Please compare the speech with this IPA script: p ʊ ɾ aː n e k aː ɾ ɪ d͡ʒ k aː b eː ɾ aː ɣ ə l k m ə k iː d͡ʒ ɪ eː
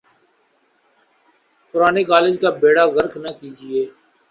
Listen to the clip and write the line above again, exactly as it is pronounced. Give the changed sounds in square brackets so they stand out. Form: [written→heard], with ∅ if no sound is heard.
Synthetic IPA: p ʊ ɾ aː n e k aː [ɾ→l] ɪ d͡ʒ k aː b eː [ɾ→ɽ] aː ɣ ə [l→ɾ] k [m→n] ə k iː d͡ʒ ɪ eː